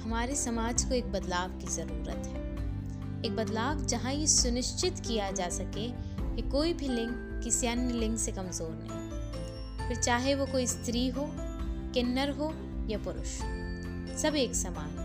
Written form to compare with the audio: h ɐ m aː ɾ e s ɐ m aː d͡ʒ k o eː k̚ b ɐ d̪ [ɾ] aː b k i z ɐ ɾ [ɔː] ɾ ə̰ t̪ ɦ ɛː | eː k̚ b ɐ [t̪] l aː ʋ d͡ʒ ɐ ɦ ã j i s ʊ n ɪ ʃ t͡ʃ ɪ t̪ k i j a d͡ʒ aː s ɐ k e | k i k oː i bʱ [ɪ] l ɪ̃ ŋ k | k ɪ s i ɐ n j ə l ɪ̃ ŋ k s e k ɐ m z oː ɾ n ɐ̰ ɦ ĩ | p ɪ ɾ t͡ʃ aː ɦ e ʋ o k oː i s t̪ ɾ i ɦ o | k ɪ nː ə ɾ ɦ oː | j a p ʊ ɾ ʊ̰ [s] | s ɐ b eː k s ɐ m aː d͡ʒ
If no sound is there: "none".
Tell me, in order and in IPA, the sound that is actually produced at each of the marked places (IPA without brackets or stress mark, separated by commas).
l, uː, d̪, i, ʃ